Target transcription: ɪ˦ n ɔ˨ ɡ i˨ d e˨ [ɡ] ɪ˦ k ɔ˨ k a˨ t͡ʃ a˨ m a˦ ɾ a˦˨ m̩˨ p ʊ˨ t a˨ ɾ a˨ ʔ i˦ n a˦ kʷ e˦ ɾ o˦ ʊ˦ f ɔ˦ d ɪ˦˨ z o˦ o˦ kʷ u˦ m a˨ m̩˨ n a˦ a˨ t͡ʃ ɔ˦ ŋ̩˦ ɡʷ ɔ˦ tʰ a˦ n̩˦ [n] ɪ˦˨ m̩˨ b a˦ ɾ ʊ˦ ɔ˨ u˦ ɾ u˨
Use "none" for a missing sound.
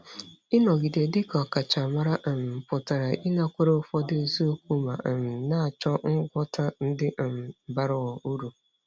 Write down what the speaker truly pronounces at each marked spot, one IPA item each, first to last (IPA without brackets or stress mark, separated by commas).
d, d